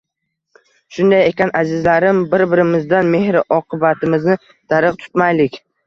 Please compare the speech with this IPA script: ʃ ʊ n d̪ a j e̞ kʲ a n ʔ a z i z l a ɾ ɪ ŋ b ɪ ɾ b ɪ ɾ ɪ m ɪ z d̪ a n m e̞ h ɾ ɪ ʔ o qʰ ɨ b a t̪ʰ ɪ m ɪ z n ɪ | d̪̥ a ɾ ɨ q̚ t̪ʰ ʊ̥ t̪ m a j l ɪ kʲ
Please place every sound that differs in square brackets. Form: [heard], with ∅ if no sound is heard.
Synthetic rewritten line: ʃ ʊ n d̪ a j e̞ kʲ a n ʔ a z [ɪ] z l a ɾ ɪ [m] b ɪ ɾ b ɪ ɾ ɪ m ɪ z d̪ a n m e̞ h ɾ ɪ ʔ [ɒ] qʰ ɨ b a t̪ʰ ɪ m ɪ z n ɪ | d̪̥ a ɾ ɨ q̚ t̪ʰ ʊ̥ t̪ m a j l ɪ kʲ